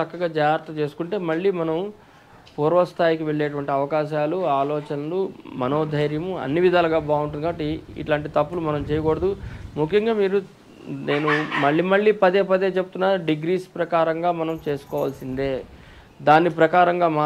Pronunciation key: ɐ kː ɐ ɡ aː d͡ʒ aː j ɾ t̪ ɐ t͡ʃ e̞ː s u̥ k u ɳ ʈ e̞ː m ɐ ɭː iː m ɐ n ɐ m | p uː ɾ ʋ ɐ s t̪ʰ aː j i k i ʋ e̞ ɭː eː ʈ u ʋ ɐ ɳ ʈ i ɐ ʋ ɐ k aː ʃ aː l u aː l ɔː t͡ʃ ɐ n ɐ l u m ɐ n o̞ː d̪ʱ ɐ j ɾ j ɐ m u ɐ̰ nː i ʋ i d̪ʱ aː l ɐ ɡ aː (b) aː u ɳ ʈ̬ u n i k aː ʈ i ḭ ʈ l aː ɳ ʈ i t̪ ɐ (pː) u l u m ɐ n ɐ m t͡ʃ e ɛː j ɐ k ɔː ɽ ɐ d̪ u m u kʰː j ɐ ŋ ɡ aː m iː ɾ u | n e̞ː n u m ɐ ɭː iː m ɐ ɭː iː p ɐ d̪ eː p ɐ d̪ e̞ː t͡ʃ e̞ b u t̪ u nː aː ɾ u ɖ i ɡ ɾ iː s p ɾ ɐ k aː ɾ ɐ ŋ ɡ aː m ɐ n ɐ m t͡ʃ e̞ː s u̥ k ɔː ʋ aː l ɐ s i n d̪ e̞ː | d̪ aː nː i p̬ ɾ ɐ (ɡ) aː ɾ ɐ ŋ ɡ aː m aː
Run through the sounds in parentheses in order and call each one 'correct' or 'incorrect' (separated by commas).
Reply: correct, correct, incorrect